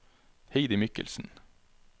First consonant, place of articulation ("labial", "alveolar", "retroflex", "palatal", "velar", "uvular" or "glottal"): glottal